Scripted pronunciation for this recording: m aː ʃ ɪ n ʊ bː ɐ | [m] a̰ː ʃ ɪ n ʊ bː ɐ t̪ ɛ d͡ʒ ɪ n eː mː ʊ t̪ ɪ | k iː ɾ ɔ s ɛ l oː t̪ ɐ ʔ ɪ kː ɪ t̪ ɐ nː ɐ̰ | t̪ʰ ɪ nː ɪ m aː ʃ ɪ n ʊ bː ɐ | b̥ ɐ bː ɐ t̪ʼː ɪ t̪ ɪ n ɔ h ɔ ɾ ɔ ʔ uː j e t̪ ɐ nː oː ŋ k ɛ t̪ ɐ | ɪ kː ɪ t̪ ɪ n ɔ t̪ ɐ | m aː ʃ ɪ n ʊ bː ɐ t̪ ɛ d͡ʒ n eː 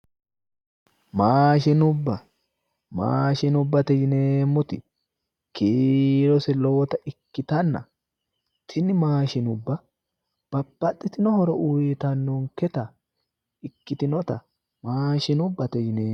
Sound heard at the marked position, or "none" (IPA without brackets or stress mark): m